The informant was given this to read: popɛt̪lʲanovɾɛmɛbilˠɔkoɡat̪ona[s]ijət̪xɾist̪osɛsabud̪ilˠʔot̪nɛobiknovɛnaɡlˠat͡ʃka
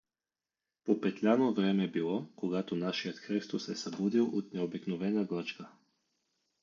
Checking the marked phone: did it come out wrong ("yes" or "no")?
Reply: yes